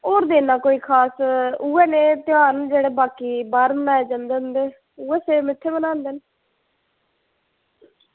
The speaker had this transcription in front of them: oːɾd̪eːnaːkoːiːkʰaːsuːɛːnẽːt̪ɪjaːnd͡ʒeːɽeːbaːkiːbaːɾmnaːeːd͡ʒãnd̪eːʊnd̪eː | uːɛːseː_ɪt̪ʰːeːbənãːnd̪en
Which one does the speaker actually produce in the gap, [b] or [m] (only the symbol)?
m